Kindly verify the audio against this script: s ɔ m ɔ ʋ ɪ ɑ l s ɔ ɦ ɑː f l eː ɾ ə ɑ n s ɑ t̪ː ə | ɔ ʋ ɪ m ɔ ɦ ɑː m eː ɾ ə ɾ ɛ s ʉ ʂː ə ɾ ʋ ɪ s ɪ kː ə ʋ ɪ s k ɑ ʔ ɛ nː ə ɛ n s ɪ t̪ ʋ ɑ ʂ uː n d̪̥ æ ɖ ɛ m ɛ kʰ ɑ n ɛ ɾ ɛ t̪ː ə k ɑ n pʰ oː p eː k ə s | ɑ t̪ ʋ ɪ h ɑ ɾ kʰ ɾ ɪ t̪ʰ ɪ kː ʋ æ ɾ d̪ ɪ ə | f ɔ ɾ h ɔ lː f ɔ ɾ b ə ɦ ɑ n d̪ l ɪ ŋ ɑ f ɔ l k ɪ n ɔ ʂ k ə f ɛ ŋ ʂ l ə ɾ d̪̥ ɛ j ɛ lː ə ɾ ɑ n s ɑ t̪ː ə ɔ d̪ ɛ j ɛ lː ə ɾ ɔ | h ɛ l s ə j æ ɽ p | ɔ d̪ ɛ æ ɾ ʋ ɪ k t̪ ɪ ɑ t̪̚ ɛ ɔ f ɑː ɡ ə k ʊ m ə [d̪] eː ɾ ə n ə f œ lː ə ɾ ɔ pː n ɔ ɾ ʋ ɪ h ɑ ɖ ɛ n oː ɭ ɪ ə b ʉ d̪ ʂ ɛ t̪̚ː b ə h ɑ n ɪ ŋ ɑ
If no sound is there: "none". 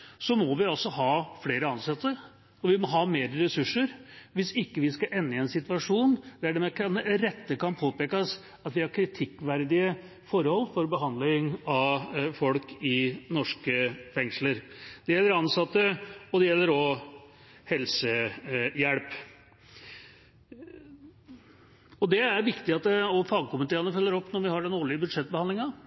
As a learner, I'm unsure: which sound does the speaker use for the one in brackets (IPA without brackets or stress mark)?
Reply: t̪